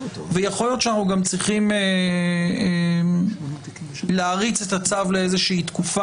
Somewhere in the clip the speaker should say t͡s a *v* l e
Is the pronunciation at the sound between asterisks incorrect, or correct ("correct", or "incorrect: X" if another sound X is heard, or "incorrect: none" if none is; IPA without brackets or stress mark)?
correct